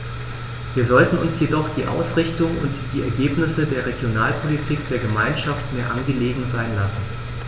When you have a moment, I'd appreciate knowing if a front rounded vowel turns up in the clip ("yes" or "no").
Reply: no